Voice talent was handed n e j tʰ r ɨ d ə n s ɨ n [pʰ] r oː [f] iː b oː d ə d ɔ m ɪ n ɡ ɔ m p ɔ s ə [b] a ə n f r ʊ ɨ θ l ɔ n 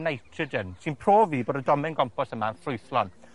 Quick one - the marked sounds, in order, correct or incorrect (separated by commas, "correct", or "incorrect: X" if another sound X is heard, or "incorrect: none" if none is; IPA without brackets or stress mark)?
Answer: correct, incorrect: v, incorrect: m